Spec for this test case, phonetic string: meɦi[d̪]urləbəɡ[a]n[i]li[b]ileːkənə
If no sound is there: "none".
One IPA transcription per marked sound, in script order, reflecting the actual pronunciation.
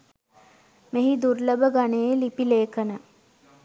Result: d̪, a, e, p

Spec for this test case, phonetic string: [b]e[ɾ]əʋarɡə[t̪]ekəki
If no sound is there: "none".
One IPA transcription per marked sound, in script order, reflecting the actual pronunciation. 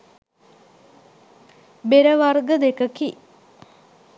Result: b, ɾ, d̪

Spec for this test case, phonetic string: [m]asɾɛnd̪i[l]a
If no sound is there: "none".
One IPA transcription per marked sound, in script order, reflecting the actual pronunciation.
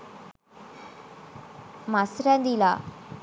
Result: m, l

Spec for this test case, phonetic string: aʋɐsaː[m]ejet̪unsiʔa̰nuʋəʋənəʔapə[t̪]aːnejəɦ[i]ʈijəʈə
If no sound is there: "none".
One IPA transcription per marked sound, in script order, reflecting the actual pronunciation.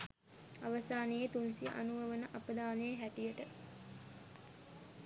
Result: n, d̪, æ

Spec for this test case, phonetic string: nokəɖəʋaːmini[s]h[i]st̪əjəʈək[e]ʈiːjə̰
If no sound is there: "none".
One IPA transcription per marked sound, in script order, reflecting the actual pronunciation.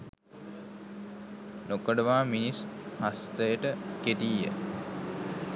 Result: s, a, e

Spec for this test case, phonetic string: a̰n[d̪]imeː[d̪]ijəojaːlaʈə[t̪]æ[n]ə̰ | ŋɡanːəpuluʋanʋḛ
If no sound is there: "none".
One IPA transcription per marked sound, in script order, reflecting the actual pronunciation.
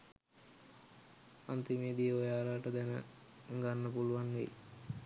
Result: t̪, d̪, d̪, n

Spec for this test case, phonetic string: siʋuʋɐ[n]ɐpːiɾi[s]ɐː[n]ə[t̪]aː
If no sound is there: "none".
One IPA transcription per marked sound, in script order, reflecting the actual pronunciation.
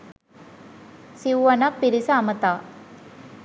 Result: n, s, m, t̪

